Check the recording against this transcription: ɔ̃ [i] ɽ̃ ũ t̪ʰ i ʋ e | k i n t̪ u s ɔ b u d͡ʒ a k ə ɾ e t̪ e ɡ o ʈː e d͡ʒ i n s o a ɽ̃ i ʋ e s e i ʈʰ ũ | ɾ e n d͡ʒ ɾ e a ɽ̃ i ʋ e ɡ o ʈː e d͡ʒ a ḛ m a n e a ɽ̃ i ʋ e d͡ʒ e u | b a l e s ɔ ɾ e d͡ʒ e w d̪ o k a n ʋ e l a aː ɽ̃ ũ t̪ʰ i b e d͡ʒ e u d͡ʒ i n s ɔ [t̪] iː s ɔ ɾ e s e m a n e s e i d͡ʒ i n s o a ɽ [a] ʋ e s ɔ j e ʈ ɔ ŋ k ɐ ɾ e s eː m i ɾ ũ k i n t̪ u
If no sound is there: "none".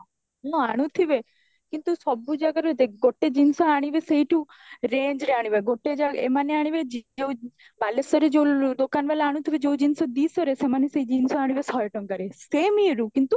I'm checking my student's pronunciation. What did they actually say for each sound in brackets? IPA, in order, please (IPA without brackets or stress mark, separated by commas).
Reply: a, d̪, i